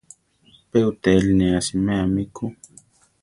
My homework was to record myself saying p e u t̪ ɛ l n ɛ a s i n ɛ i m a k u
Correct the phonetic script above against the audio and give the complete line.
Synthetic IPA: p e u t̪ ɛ l n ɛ a s i m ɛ a m i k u